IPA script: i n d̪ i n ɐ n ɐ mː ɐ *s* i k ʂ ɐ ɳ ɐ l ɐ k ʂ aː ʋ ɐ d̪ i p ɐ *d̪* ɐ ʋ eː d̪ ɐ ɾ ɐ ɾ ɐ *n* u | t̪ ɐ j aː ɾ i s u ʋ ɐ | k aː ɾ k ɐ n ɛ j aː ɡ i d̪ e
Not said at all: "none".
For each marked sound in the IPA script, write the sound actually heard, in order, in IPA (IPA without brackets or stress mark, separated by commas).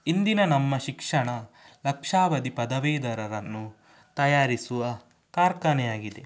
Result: ʃ, d̪, nː